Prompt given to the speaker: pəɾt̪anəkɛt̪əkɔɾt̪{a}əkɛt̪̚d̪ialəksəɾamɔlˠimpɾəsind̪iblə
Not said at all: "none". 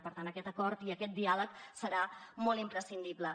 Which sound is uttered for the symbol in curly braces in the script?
i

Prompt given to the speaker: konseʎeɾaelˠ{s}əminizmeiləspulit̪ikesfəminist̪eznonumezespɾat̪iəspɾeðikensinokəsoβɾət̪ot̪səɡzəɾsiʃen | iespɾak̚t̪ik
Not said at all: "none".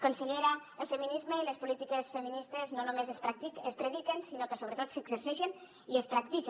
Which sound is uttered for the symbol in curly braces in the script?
f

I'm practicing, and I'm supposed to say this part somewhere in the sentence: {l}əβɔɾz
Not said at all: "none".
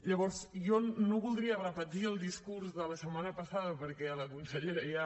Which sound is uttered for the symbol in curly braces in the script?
ʎ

